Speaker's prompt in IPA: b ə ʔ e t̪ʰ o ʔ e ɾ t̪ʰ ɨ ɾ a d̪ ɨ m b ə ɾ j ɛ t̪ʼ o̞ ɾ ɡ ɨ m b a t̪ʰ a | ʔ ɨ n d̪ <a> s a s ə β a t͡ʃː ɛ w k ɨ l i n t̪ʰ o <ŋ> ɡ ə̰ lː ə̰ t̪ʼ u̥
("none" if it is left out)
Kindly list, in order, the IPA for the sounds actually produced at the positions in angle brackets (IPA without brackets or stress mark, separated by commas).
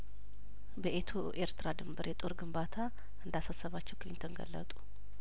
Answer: a, n